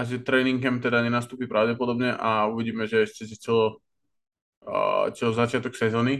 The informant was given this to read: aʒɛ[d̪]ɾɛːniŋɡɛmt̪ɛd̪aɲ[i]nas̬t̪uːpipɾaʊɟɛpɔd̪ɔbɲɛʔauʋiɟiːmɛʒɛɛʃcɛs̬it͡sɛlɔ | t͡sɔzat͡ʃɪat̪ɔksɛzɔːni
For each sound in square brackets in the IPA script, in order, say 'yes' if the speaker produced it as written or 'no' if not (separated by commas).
no, no